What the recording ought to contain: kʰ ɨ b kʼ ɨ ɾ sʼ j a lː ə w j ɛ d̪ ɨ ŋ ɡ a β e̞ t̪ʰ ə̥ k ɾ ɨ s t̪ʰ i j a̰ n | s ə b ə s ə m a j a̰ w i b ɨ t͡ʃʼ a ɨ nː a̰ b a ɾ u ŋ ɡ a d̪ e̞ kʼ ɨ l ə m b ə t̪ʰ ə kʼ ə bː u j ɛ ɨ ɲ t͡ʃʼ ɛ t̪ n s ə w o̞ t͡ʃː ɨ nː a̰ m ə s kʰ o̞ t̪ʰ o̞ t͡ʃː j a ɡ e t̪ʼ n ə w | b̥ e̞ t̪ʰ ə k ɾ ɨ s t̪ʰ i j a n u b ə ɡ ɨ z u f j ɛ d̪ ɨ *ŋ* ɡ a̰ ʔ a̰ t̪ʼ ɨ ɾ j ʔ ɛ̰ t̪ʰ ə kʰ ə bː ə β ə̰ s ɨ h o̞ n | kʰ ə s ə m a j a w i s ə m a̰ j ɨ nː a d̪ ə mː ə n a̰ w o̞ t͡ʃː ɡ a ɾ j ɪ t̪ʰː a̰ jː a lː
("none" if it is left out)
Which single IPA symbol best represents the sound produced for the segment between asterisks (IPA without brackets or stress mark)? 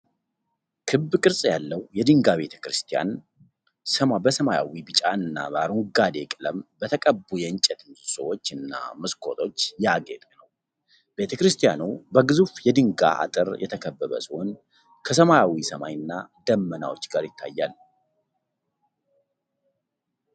ŋ